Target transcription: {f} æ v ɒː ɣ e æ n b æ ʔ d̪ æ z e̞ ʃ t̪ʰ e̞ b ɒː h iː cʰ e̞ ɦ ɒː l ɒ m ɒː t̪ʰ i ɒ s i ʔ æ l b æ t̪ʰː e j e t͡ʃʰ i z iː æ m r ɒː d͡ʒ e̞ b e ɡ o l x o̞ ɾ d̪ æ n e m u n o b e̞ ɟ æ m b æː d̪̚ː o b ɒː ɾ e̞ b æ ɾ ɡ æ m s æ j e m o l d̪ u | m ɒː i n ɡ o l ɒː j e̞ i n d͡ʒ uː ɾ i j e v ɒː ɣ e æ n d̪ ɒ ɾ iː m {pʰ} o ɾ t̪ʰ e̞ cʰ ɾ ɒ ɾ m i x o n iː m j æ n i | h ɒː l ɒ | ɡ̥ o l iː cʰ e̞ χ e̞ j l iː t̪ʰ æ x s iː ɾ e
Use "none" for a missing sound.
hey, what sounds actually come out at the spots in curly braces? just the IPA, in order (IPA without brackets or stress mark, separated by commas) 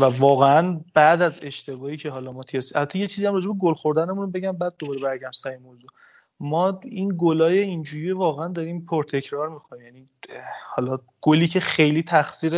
v, pʰ